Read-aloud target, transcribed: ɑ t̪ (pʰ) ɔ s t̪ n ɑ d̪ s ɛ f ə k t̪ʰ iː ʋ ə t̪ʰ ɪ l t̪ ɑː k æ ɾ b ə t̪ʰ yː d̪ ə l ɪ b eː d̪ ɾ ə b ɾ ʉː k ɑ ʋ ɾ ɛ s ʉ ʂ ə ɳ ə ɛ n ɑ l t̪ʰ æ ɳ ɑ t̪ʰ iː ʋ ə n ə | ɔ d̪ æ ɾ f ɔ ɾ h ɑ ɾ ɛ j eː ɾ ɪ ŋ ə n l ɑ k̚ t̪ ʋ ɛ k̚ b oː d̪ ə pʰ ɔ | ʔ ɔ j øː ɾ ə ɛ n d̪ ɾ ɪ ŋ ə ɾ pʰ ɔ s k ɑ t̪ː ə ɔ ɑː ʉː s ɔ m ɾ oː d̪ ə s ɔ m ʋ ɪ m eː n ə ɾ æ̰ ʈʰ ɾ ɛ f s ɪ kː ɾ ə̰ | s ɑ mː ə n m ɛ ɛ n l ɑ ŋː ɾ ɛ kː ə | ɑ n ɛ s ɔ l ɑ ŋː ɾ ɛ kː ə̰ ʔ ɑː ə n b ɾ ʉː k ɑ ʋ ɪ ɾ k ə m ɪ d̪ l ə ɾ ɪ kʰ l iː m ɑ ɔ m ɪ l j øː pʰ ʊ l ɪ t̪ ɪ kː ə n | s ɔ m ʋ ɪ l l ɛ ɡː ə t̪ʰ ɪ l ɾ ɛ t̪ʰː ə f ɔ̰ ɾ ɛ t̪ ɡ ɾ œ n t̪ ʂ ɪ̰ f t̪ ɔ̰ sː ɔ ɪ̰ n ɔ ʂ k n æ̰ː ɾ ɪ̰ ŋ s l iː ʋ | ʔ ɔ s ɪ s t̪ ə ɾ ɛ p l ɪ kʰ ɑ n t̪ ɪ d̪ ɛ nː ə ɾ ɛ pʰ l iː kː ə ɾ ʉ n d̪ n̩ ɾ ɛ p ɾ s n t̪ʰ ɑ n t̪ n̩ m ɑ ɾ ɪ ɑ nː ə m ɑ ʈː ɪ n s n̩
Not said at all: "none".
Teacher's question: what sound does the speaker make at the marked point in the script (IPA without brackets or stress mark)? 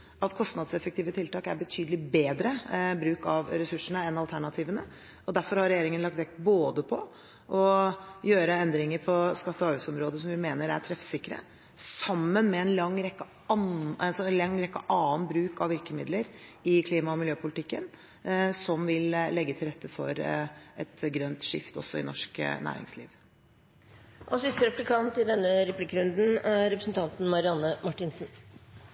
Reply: kʰ